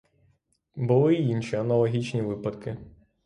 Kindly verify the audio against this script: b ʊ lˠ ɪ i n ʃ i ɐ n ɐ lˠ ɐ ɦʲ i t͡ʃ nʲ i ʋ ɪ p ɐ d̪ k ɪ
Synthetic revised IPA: b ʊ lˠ ɪ i n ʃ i ɐ n ɐ lˠ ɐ ɦʲ i t͡ʃ nʲ i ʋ ɪ p ɐ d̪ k ɪ